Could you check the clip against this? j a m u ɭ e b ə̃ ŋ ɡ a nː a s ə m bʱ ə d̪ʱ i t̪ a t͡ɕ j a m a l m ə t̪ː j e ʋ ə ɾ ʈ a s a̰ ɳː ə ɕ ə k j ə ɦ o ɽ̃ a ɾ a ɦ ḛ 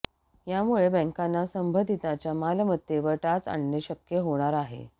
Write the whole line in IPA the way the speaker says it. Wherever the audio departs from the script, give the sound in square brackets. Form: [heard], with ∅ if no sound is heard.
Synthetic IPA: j a m u ɭ e b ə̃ ŋ [k] a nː a s ə m bʱ ə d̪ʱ i t̪ a t͡ɕ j a m a l m ə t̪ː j e ʋ ə ɾ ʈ a [t͡s] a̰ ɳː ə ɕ ə k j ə ɦ o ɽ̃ a ɾ a ɦ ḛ